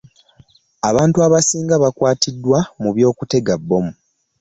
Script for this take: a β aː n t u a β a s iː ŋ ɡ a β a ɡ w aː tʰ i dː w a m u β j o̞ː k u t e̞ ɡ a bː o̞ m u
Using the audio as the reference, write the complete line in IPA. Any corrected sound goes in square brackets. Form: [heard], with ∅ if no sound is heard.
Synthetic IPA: a β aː n t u a β a s iː ŋ ɡ a β a [k] w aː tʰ i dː w a m u β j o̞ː k u t e̞ ɡ a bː o̞ m u